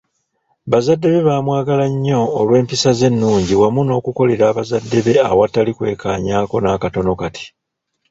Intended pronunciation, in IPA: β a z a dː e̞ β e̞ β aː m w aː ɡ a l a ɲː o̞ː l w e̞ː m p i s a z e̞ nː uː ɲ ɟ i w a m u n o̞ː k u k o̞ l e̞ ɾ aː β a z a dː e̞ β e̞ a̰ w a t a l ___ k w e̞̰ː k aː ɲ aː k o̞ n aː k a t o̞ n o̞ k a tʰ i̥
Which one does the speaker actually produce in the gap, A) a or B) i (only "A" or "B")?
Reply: B